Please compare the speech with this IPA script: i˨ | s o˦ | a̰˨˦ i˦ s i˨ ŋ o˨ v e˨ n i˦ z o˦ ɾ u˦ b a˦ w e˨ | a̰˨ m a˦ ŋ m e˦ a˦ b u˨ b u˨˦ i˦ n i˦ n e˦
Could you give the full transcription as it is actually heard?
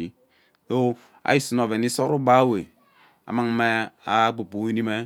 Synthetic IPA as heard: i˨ | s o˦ | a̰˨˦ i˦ s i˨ n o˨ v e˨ n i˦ s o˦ ɾ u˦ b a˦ w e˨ | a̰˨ m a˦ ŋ m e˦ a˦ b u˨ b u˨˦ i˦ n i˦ m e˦